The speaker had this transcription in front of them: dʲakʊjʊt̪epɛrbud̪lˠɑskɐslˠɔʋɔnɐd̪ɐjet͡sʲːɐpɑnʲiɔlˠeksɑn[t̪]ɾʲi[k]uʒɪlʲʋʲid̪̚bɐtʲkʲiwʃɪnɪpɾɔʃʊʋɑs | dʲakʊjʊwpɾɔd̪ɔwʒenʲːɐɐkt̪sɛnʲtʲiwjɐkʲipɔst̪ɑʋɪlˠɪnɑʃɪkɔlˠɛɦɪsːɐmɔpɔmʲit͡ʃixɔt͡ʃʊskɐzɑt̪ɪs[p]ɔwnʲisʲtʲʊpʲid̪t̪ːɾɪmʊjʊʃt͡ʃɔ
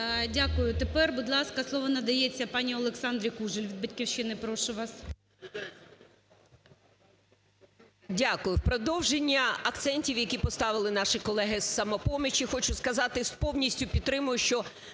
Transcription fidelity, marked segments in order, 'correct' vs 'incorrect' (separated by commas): incorrect, correct, correct